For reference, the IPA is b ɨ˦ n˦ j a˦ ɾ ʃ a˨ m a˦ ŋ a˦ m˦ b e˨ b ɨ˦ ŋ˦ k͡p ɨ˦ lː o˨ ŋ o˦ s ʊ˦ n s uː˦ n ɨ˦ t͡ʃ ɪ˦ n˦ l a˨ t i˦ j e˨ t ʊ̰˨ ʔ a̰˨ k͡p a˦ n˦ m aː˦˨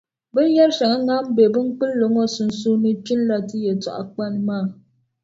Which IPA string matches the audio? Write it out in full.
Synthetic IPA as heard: b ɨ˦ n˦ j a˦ ɾ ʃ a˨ ŋ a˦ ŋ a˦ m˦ b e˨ b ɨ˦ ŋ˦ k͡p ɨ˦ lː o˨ ŋ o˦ s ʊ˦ n s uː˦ n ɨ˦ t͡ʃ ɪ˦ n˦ l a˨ t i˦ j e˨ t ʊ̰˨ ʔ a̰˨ k͡p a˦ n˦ m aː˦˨